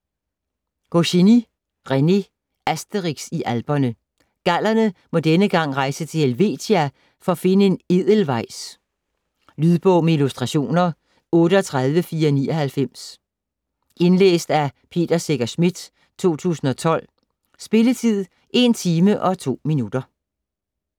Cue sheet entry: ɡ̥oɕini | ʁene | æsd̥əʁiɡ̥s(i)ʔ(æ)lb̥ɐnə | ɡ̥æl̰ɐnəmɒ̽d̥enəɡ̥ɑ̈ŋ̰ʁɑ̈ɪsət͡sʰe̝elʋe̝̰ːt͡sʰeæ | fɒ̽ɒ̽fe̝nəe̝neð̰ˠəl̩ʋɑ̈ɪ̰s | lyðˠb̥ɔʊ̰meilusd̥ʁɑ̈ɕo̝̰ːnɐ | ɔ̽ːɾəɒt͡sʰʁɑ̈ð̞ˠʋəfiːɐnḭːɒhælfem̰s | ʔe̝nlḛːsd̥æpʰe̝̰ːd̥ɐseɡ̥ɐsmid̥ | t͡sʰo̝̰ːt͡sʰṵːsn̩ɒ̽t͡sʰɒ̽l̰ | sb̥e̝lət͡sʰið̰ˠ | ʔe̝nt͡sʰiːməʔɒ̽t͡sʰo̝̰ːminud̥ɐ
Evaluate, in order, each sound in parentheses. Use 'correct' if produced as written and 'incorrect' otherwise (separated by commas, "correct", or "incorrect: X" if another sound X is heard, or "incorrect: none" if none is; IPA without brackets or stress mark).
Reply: correct, correct